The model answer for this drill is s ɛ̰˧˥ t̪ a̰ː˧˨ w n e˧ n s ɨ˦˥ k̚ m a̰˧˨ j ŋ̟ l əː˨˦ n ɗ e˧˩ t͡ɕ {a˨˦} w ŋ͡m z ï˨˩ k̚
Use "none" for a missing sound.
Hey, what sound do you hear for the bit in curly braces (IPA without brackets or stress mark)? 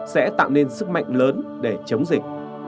ə˨˦